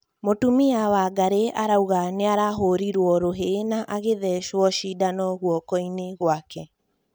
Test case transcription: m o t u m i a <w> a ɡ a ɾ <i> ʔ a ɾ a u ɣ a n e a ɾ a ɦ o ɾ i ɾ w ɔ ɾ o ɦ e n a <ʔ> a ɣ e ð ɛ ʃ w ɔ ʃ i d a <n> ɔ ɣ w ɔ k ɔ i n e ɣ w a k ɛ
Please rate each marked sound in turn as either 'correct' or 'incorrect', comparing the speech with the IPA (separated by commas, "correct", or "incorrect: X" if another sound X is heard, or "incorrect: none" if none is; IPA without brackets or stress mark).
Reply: correct, incorrect: e, correct, correct